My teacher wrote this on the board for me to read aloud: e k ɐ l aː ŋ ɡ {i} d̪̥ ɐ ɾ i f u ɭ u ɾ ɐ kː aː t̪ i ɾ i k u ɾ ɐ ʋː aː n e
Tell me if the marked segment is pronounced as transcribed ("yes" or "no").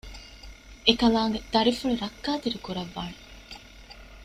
no